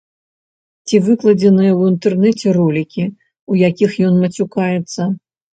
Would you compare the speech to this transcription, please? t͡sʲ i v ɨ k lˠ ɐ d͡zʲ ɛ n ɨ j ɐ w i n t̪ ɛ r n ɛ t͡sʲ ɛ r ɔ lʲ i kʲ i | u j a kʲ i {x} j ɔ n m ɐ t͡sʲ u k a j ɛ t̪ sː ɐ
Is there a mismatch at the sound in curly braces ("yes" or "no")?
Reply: no